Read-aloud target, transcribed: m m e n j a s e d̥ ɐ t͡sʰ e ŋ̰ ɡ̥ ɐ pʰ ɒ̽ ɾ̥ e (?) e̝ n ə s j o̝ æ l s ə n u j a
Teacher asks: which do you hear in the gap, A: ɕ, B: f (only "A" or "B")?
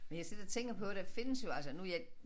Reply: B